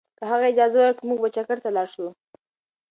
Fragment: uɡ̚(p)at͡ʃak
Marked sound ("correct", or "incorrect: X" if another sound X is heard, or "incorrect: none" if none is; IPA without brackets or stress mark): incorrect: b